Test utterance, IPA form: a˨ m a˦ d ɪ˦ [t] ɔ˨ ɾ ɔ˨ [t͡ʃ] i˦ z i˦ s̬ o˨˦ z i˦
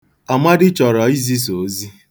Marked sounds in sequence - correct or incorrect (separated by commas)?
incorrect, incorrect